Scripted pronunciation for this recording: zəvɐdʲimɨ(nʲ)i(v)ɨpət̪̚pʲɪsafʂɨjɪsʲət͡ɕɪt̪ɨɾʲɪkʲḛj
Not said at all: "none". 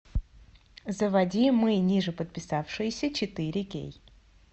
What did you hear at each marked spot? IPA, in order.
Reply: nʲ, ʐ

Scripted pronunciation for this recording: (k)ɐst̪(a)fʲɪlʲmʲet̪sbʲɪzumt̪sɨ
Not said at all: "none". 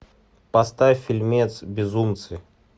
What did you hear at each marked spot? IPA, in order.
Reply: p, a

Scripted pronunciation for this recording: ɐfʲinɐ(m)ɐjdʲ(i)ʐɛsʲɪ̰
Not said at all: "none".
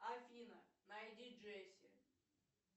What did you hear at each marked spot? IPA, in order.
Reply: n, i

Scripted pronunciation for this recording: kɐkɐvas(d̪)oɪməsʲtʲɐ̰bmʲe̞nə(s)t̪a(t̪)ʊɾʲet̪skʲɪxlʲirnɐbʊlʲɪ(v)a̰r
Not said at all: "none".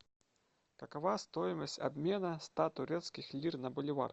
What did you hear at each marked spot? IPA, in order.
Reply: t̪, s, t̪, v

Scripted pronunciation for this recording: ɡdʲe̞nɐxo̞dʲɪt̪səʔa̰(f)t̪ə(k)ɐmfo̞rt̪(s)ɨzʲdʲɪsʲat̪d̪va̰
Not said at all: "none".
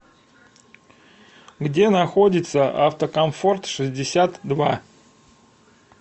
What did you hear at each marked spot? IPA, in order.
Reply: f, k, ʂ

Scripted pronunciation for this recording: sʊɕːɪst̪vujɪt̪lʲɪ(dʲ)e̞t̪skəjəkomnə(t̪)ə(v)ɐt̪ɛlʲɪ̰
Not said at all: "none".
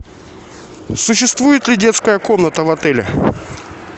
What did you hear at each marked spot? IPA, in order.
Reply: dʲ, t̪, v

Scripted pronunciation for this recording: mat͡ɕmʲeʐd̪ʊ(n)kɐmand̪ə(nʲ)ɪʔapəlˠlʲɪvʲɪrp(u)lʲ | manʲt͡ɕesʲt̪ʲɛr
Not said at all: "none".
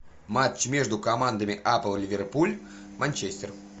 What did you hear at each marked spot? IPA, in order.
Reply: none, mʲ, u

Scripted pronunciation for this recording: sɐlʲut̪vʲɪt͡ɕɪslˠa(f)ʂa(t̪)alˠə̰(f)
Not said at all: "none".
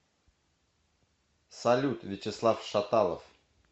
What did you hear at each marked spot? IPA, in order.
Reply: f, t̪, f

